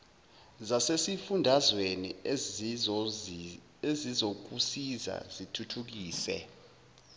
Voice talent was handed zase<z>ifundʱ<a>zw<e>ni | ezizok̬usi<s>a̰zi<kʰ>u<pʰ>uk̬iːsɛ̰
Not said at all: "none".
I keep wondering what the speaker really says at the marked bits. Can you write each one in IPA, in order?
s, a, e, z, tʰ, tʰ

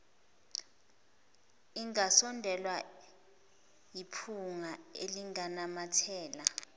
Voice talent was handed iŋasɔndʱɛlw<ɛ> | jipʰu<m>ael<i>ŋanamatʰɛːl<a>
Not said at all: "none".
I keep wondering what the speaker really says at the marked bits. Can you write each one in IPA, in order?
a, ŋ, i, a

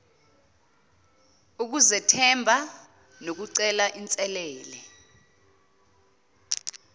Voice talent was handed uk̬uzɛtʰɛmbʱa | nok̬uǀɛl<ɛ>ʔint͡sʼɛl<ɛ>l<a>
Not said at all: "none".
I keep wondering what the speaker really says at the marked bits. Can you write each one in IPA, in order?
a, ɛː, ɛ

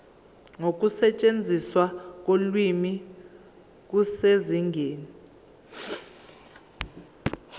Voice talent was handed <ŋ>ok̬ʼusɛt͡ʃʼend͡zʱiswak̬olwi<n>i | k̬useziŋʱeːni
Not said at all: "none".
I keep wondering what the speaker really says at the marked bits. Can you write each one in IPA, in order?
ŋ, m

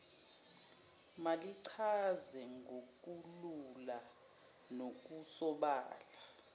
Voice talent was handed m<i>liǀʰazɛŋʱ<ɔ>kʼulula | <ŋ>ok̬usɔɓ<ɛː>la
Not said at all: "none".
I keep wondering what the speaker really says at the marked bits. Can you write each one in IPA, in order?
a, o, n, aː

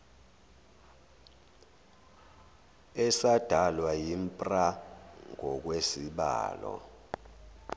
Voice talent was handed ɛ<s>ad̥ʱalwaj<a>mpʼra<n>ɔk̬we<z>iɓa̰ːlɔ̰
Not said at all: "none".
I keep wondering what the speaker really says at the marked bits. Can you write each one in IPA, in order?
s, i, ŋ, s

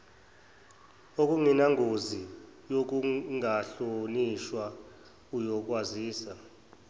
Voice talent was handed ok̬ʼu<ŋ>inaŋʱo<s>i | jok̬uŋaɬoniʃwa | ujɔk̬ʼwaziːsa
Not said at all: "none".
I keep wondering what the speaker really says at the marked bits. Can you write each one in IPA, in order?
ŋ, z

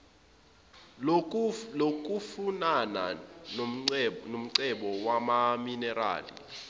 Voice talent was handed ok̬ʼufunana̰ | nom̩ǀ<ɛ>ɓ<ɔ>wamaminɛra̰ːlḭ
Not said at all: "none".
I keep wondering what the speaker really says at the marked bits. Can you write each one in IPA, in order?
ɛ, ɔ

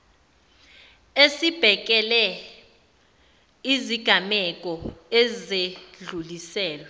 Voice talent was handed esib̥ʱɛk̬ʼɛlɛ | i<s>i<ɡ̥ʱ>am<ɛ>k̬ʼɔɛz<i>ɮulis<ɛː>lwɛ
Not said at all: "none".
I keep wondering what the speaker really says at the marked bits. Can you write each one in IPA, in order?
z, ɡ̥ʱ, ɛ, e, ɛː

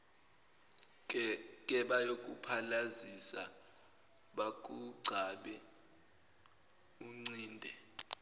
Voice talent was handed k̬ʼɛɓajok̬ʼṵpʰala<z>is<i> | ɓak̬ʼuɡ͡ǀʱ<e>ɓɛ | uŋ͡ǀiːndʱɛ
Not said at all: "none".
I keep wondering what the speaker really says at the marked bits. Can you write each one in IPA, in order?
z, a, a

